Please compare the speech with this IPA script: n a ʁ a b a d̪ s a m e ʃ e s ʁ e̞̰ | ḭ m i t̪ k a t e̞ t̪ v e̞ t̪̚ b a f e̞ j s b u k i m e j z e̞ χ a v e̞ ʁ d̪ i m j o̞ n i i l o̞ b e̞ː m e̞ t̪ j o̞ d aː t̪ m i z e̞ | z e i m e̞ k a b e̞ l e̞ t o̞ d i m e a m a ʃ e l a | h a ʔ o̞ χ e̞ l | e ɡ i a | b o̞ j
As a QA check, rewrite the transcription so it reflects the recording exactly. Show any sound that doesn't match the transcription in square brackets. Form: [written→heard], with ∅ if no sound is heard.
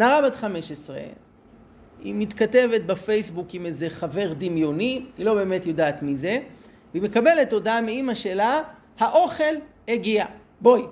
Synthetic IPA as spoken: n a ʁ a b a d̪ [s→χ] a m e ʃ e s ʁ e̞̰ | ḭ m i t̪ k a t e̞ [t̪→∅] v e̞ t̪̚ b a f e̞ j s b u k i m e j z e̞ χ a v e̞ ʁ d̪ i m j o̞ n i i l o̞ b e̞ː m e̞ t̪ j o̞ d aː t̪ m i z e̞ | [z→v] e i m e̞ k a b e̞ l e̞ t o̞ d [i→a] m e [a→i] m a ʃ e l a | h a ʔ o̞ χ e̞ l | e ɡ i a | b o̞ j